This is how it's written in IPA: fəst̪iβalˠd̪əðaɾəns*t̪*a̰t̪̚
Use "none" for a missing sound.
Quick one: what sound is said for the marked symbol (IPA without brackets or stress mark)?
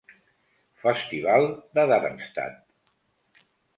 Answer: t̪